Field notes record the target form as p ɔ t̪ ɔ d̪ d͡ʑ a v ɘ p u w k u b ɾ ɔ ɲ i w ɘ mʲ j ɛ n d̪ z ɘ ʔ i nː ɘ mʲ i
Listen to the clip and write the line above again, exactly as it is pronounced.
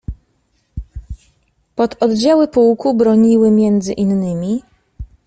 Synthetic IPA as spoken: p ɔ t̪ ɔ d̪ d͡ʑ a w ɘ p u w k u b ɾ ɔ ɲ i w ɘ mʲ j ɛ n d̪ z ɘ ʔ i nː ɘ mʲ i